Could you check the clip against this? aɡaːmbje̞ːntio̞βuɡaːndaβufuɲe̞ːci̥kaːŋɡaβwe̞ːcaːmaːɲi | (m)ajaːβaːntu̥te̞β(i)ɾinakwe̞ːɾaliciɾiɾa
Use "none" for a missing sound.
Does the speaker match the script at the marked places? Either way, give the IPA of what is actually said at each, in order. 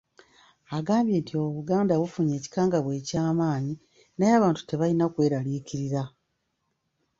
n, a

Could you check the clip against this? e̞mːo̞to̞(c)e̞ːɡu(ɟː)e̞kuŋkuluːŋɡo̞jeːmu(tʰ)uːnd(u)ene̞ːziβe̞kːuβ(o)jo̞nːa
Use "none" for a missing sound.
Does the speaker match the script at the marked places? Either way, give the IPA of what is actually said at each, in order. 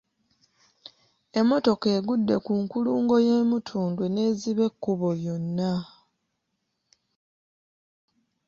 k, dː, tʰ, w, o

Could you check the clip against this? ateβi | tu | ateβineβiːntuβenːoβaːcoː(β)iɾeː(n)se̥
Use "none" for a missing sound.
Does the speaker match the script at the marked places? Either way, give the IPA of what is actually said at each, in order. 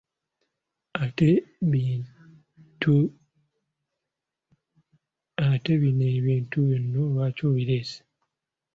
β, none

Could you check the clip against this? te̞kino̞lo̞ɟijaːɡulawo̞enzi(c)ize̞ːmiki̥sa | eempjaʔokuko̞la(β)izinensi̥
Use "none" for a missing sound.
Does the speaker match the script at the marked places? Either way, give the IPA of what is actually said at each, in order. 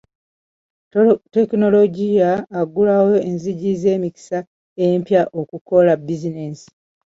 ɟ, b

